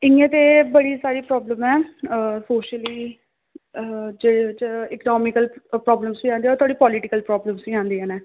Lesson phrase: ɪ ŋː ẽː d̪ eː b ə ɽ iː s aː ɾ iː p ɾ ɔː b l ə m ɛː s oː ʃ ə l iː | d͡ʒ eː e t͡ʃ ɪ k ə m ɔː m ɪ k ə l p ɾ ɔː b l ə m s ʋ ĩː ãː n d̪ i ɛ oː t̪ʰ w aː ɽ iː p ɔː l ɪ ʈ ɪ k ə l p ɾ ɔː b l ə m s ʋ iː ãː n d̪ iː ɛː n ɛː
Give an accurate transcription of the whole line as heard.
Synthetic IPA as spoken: ɪ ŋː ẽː t̪ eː b ə ɽ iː s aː ɾ iː p ɾ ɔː b l ə m ɛː s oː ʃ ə l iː | d͡ʒ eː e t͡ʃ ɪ k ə n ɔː m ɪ k ə l p ɾ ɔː b l ə m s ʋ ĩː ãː n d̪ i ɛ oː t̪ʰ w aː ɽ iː p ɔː l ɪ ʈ ɪ k ə l p ɾ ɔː b l ə m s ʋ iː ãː n d̪ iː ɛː n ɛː